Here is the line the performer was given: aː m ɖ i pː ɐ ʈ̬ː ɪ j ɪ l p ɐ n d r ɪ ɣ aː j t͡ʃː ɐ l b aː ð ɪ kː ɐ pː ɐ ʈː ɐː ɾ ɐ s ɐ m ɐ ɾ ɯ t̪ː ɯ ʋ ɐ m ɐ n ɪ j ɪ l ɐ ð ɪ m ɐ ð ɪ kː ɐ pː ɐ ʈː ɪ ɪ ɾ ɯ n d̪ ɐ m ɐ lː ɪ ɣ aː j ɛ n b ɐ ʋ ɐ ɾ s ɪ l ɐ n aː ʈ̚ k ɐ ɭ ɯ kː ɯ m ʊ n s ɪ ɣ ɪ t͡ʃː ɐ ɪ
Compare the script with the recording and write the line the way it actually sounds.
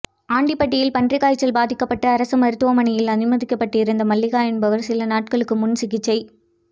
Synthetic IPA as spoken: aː ɳ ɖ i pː ɐ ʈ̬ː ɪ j ɪ l p ɐ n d r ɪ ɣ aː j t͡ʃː ɐ l b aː ð ɪ kː ɐ pː ɐ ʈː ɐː ɾ ɐ s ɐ m ɐ ɾ ɯ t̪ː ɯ ʋ ɐ m ɐ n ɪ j ɪ l ɐ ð ɪ m ɐ ð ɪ kː ɐ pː ɐ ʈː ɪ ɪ ɾ ɯ n d̪ ɐ m ɐ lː ɪ ɣ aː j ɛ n b ɐ ʋ ɐ ɾ s ɪ l ɐ n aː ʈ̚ k ɐ ɭ ɯ kː ɯ m ʊ n s ɪ ɣ ɪ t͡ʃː ɐ ɪ

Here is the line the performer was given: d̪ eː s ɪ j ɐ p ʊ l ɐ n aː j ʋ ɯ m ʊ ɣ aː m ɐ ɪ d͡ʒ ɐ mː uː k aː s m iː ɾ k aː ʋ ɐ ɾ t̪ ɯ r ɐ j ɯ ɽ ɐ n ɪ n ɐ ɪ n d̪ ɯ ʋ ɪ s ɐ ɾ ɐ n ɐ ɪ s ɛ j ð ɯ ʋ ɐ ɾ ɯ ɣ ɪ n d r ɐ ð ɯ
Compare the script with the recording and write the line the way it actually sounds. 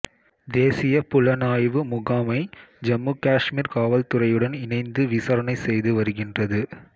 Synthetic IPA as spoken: d̪ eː s ɪ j ɐ p ʊ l ɐ n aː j ʋ ɯ m ʊ ɣ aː m ɐ ɪ d͡ʒ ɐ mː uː k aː ʂ m iː ɾ k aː ʋ ɐ l t̪ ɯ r ɐ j ɯ ɽ ɐ n ɪ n ɐ ɪ n d̪ ɯ ʋ ɪ s ɐ ɾ ɐ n ɐ ɪ s ɛ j ð ɯ ʋ ɐ ɾ ɯ ɣ ɪ n d r ɐ ð ɯ

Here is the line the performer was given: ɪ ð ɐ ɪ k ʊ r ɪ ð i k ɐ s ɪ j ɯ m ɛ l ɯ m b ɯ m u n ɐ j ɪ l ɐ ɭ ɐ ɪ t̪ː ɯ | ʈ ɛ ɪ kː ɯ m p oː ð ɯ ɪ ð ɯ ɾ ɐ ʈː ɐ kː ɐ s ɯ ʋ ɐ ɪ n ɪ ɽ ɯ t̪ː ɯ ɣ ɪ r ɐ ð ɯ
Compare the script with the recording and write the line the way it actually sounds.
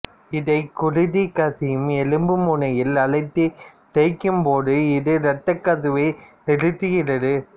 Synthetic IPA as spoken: ɪ ð ɐ ɪ k ʊ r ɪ ð i k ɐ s ɪ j ɯ m ɛ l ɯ m b ɯ m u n ɐ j ɪ l ɐ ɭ ɐ ɪ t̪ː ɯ | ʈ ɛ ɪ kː ɯ m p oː ð ɯ ɪ ð ɯ ɾ ɐ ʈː ɐ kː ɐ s ɯ ʋ ɐ ɪ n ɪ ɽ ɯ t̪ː ɯ ɣ ɪ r ɐ ð ɯ

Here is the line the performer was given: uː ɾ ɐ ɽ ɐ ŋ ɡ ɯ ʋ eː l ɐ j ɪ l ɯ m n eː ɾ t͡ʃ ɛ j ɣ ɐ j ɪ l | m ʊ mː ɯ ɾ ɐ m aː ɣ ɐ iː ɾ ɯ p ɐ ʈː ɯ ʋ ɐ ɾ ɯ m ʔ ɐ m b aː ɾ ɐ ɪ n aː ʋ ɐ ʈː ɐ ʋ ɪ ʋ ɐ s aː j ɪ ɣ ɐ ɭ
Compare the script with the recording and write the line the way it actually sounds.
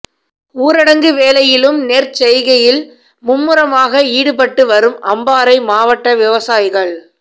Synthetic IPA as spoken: uː ɾ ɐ ɽ ɐ ŋ ɡ ɯ ʋ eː l ɐ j ɪ l ɯ m n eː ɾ t͡ʃ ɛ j ɣ ɐ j ɪ l | m ʊ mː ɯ ɾ ɐ m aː ɣ ɐ iː ɽ ɯ p ɐ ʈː ɯ ʋ ɐ ɾ ɯ m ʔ ɐ m b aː ɾ ɐ ɪ m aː ʋ ɐ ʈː ɐ ʋ ɪ ʋ ɐ s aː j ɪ ɣ ɐ ɭ

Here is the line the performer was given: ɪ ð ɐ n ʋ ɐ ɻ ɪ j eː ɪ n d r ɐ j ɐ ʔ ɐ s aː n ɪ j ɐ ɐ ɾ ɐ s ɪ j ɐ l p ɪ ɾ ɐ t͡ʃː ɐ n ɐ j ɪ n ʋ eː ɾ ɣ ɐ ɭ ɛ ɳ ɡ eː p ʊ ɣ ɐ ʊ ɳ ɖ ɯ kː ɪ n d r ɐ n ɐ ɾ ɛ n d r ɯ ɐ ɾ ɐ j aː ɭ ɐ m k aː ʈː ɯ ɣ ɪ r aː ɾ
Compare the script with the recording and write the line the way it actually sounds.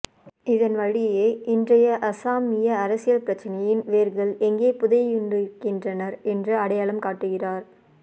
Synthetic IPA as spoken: ɪ ð ɐ n ʋ ɐ ɻ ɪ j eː ɪ n d r ɐ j ɐ ʔ ɐ s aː m ɪ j ɐ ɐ ɾ ɐ s ɪ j ɐ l p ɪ ɾ ɐ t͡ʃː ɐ n ɐ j ɪ n ʋ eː ɾ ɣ ɐ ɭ ɛ ŋ ɡ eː p ʊ ð ɐ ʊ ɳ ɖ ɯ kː ɪ n d r ɐ n ɐ ɾ ɛ n d r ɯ ɐ ɽ ɐ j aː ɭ ɐ m k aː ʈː ɯ ɣ ɪ r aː ɾ

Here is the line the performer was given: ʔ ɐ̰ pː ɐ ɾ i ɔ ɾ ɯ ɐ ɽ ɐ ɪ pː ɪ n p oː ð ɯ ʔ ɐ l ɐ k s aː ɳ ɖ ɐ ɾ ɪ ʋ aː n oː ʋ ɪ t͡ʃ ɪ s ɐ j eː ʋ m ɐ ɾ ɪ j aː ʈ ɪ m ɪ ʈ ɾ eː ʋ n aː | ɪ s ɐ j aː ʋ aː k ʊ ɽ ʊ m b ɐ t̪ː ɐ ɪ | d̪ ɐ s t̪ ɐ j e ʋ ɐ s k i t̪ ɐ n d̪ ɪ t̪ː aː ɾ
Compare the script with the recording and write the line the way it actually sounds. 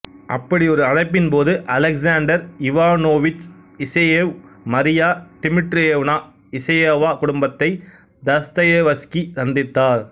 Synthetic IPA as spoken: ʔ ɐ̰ pː ɐ ɽ i ɔ ɾ ɯ ɐ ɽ ɐ ɪ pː ɪ n p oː ð ɯ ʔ ɐ l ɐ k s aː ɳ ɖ ɐ ɾ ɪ ʋ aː n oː ʋ ɪ t͡ʃ ɪ s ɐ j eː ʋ m ɐ ɾ ɪ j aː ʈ ɪ m ɪ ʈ ɾ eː ʋ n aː | ɪ s ɐ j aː ʋ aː k ʊ ɽ ʊ m b ɐ t̪ː ɐ ɪ | d̪ ɐ s t̪ ɐ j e ʋ ɐ s k i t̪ ɐ n d̪ ɪ t̪ː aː ɾ

